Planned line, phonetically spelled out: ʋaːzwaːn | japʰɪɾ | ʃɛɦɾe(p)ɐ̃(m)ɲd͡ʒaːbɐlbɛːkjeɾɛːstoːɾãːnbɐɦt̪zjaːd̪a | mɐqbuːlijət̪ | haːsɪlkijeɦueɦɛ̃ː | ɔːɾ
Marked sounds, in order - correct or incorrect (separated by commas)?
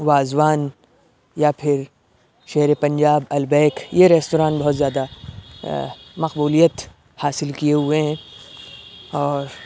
correct, incorrect